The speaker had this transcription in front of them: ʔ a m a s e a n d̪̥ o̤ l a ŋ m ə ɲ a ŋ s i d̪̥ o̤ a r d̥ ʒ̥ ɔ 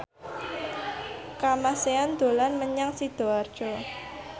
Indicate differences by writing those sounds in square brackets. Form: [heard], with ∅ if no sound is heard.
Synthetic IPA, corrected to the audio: [k] a m a s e a n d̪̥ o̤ l a [n] m ə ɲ a ŋ s i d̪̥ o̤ a r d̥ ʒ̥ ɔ